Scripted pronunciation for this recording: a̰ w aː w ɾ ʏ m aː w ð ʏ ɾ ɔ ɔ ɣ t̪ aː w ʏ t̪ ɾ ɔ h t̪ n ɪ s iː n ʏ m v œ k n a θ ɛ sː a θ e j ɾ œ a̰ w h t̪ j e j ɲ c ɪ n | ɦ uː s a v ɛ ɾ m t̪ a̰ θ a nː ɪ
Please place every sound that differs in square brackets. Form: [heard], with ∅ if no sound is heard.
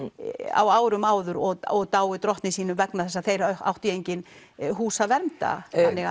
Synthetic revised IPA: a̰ w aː w ɾ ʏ m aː w ð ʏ ɾ ɔ ɔ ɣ t̪ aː w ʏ t̪ ɾ ɔ h t̪ n ɪ s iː n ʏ m v [ɛ] k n a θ ɛ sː a θ e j ɾ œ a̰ w h t̪ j e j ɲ c ɪ n | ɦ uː s a v ɛ ɾ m t̪ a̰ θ a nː ɪ